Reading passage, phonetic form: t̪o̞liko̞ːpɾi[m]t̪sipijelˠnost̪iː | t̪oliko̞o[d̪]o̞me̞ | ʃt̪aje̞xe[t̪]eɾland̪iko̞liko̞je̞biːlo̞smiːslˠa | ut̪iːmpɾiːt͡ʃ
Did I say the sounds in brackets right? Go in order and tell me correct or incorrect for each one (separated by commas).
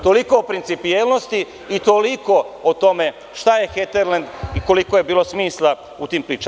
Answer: incorrect, incorrect, correct